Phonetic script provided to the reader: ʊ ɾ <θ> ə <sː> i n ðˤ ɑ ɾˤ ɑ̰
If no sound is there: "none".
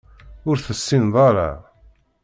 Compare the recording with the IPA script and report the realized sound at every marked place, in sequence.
θ, sː

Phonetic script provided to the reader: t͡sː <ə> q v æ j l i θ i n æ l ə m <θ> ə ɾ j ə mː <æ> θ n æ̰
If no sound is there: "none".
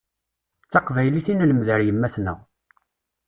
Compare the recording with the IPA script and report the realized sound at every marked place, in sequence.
ɑ, ð, æ

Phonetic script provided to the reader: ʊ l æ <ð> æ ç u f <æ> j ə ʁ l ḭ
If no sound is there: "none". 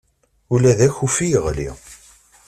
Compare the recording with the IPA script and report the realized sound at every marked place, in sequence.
ð, i

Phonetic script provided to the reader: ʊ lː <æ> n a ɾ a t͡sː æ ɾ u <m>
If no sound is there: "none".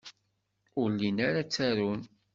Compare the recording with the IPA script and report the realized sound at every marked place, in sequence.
i, n

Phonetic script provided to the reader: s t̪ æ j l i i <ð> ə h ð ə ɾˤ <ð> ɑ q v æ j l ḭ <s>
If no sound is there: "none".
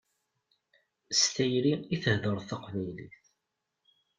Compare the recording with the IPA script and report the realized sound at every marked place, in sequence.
θ, θ, θ

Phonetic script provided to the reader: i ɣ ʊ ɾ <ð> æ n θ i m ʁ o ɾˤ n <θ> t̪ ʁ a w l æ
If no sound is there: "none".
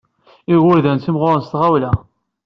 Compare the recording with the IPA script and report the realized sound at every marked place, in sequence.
ð, s

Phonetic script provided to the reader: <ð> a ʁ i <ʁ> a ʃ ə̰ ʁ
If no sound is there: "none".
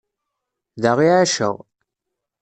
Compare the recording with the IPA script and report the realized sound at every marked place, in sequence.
ð, ʕ

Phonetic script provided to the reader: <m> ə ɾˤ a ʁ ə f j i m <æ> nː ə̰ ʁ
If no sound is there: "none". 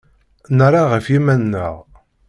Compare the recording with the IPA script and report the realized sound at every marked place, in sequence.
n, æ

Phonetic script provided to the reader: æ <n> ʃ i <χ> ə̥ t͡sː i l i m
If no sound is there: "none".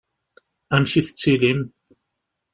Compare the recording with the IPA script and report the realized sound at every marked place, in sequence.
m, θ

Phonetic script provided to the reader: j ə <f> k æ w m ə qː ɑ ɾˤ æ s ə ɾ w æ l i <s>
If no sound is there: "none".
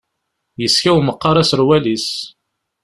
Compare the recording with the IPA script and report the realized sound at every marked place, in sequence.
s, s

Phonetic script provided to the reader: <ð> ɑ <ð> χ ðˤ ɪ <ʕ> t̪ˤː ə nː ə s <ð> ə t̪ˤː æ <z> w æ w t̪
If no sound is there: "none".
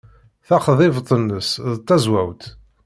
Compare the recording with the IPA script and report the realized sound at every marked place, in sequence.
θ, none, v, ð, z

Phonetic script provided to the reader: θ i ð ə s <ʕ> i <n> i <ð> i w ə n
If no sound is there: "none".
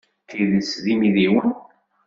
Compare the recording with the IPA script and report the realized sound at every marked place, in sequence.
ð, m, ð

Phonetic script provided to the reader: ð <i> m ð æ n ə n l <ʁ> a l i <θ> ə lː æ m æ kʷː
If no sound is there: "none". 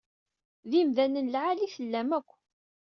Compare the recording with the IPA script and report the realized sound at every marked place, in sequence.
i, ʕ, θ

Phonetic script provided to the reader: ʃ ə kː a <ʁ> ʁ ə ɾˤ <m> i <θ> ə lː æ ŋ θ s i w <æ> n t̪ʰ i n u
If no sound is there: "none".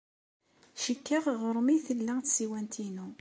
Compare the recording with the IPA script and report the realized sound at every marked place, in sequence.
ʁ, m, θ, æ

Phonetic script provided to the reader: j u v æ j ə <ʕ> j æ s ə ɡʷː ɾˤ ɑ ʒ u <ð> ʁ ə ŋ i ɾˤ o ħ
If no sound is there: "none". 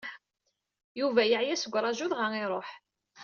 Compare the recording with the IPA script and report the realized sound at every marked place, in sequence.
ʕ, ð

